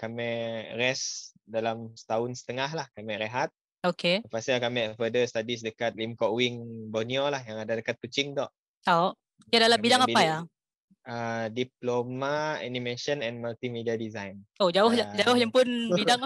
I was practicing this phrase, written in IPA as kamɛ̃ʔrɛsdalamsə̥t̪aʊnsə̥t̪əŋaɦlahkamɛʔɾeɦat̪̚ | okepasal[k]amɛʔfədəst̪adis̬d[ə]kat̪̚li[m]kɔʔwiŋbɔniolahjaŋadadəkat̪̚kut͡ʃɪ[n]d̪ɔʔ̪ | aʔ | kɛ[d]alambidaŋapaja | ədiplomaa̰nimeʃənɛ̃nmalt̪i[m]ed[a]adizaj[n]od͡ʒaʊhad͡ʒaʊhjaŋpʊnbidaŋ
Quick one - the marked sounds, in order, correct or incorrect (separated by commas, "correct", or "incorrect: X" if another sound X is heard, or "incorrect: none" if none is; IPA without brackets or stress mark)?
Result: correct, correct, correct, incorrect: ŋ, correct, correct, incorrect: i, correct